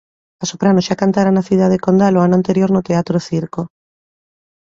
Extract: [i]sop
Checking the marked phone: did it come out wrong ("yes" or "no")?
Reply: yes